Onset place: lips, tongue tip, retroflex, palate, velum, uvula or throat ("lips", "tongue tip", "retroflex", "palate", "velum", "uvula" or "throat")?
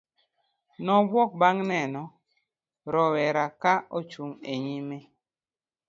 tongue tip